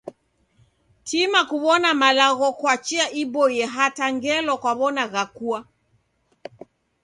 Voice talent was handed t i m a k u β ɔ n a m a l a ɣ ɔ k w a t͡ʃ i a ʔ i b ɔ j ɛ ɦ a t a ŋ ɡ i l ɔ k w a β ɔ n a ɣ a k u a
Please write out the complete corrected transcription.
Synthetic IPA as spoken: t i m a k u β ɔ n a m a l a ɣ ɔ k w a t͡ʃ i a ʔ i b ɔ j ɛ ɦ a t a ŋ ɡ ɛ l ɔ k w a β ɔ n a ɣ a k u a